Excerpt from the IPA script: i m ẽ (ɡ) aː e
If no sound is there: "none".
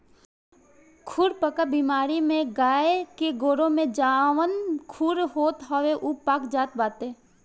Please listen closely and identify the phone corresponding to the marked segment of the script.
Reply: ɡ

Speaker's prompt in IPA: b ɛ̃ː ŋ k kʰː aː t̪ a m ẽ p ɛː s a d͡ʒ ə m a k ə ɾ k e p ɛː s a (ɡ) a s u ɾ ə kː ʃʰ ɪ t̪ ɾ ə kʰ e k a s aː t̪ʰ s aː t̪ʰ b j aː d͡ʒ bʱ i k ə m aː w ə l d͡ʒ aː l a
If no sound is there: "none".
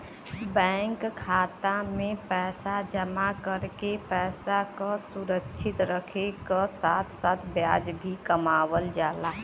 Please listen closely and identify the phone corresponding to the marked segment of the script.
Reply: k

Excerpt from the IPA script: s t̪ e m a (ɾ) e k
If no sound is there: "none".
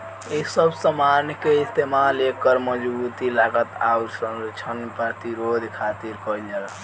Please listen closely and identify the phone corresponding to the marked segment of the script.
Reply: l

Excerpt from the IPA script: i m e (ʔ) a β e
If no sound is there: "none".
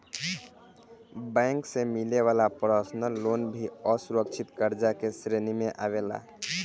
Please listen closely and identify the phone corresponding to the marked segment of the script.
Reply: ʔ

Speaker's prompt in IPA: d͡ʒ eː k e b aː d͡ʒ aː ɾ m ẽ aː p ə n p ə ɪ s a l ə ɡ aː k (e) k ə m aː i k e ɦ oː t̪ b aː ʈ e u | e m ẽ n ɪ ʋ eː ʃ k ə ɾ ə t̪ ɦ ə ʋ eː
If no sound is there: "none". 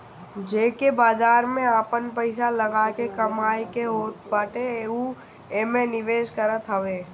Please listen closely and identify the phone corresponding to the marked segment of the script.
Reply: e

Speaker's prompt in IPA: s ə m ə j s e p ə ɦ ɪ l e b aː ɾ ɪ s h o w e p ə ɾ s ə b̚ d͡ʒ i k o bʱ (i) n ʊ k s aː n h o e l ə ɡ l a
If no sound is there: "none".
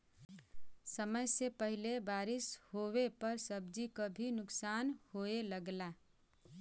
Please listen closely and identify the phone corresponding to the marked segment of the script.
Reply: i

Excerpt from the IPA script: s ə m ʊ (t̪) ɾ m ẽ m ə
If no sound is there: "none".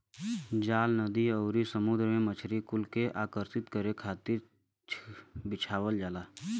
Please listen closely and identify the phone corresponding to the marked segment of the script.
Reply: d̪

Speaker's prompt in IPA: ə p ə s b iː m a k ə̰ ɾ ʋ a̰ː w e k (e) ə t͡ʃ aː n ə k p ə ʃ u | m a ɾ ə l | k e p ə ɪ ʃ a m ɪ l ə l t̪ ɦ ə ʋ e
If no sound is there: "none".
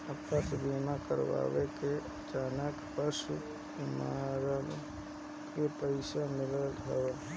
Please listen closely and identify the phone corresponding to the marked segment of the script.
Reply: e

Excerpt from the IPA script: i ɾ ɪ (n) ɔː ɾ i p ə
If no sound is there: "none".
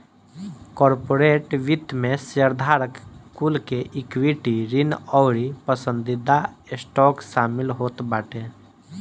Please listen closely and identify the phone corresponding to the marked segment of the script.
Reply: n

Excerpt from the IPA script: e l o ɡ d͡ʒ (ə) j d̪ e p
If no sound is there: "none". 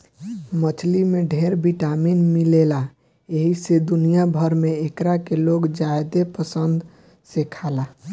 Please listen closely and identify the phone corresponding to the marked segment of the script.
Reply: a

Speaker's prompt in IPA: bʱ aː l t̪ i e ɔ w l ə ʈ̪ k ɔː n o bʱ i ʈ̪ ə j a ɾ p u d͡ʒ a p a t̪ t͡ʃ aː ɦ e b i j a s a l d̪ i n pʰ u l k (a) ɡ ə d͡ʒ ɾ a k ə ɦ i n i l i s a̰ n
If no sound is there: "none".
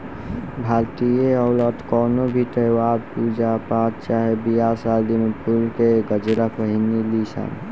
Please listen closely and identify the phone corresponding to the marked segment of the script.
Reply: e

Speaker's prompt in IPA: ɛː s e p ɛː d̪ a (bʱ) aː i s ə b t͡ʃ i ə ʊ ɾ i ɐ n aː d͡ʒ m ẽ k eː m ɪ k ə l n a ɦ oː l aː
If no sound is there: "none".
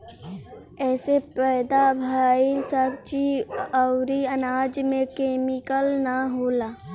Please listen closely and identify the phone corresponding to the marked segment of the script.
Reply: bʱ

